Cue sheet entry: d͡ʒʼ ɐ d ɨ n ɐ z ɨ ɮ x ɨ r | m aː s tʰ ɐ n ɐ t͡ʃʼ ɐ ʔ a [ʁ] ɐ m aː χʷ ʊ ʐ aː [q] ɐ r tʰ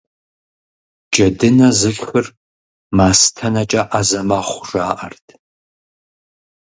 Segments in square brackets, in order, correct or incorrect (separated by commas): incorrect, incorrect